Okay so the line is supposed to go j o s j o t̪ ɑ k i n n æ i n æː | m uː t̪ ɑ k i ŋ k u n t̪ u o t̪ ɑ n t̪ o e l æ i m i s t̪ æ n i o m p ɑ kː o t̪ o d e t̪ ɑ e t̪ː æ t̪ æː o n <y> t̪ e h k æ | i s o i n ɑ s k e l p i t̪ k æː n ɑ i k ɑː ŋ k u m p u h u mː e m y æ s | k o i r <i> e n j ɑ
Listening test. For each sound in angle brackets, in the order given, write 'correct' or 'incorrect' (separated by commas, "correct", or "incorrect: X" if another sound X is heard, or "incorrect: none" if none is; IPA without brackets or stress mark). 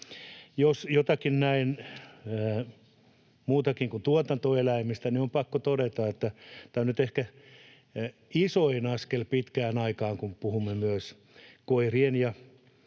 correct, correct